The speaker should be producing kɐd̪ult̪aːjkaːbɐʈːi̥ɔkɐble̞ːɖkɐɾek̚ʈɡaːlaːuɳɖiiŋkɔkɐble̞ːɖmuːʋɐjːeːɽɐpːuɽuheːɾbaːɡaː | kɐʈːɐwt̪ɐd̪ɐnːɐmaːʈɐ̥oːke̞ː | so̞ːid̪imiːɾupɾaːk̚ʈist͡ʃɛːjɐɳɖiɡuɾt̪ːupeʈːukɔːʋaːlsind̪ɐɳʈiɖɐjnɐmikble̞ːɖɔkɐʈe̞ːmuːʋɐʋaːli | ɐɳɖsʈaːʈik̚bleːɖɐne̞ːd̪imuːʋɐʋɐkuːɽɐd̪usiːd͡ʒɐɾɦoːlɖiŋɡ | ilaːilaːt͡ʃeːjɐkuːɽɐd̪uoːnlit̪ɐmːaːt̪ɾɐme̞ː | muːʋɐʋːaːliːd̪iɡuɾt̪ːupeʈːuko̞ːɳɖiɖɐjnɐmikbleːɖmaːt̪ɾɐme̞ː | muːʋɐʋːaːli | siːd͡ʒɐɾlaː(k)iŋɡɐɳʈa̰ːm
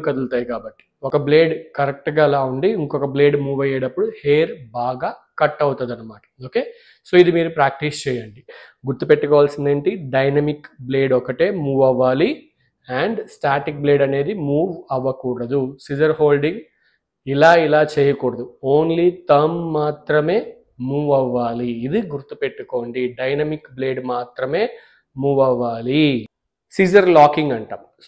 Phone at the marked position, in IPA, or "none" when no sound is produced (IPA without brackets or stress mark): k